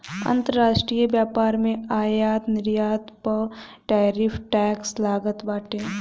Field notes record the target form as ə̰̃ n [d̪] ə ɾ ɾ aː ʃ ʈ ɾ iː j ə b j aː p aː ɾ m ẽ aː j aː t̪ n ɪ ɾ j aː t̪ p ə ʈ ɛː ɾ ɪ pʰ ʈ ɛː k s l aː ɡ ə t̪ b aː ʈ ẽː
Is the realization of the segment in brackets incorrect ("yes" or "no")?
yes